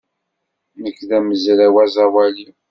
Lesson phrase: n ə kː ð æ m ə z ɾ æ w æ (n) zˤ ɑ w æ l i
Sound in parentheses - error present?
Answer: yes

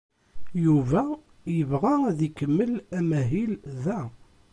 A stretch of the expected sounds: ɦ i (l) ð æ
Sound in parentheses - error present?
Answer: no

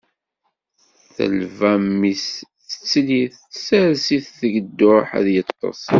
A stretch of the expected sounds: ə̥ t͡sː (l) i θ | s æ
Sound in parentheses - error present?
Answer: no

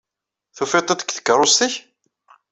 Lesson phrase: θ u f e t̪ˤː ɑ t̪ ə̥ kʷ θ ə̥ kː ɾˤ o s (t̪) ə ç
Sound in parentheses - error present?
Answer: no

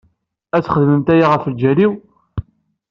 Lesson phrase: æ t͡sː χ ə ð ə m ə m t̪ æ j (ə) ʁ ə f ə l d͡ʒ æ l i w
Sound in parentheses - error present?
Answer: yes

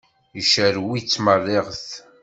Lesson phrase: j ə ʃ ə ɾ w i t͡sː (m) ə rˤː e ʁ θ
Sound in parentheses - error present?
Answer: no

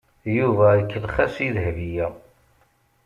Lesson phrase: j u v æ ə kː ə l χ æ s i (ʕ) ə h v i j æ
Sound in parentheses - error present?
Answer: yes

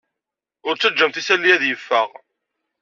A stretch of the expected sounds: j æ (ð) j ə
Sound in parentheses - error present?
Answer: no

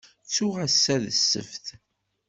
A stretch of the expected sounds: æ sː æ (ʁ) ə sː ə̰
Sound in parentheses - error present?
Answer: yes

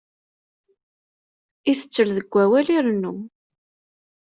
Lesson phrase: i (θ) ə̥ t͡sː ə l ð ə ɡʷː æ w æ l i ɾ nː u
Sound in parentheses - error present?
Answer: no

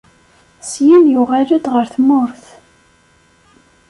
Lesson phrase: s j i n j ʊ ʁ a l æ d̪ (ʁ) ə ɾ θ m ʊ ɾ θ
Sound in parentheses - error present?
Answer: no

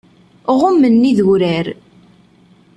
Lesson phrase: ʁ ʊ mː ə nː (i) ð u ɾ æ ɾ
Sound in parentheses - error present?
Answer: no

